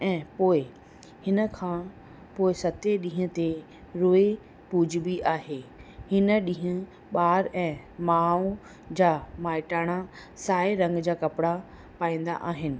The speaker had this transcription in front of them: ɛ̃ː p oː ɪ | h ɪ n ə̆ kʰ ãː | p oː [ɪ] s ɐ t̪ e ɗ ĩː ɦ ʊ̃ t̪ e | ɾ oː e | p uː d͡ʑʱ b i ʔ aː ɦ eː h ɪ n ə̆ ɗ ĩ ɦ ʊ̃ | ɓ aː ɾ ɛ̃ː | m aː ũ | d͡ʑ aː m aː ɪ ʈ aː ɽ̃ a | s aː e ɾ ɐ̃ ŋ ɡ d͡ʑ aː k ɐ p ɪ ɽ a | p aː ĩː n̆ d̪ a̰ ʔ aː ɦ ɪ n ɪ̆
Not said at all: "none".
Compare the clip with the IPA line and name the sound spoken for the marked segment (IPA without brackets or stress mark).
ɪ